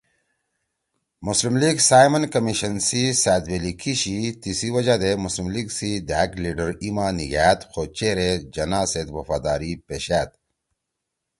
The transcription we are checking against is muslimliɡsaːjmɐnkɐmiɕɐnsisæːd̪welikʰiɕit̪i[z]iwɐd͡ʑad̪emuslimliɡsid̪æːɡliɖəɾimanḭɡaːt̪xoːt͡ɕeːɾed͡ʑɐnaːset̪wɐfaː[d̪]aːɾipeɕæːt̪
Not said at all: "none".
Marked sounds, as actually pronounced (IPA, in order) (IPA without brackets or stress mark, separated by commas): s, d̪